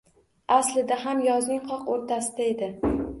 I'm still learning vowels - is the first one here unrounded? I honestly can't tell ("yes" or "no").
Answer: yes